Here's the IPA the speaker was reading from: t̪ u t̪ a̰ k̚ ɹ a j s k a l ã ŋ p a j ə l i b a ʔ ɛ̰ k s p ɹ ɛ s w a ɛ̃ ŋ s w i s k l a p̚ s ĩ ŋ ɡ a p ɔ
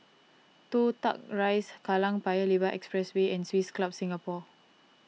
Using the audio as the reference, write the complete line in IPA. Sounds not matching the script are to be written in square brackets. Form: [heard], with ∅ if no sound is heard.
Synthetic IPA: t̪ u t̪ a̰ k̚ ɹ a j s k a l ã ŋ p a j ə l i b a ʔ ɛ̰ k s p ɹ ɛ s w [e] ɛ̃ [n] s w i s k l a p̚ s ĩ ŋ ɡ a p ɔ

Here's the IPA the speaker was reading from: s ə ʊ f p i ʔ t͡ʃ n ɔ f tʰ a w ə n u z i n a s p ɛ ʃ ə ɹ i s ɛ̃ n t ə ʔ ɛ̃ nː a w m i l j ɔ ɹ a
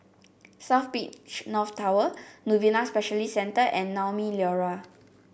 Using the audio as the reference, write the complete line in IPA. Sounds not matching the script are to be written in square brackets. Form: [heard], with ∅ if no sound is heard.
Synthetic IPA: s [a] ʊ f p i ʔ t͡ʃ n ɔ f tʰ a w ə n u [v] i n a s p ɛ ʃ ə [l] i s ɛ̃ n t ə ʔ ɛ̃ nː a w m i l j ɔ ɹ a

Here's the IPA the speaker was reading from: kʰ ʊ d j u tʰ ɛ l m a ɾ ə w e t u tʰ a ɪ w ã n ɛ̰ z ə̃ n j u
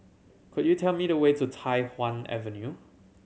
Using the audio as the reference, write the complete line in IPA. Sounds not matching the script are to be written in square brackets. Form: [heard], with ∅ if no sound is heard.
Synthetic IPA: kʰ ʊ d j u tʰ ɛ l m [i] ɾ ə w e t u tʰ a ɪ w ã n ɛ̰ [v] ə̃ n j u

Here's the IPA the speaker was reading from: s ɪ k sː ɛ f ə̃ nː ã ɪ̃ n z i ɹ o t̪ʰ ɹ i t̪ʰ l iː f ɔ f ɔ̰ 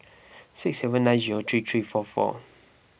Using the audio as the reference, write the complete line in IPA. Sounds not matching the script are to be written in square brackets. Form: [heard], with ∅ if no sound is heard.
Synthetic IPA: s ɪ k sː ɛ [v] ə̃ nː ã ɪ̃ n z i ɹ o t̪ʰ ɹ i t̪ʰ [ɹ] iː f ɔ f ɔ̰

